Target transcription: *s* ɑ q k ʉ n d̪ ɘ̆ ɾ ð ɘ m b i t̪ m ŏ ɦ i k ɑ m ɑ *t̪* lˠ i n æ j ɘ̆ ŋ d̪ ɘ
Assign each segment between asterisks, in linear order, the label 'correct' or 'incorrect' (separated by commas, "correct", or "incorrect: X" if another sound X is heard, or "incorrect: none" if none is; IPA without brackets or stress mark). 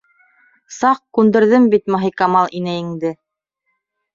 correct, incorrect: none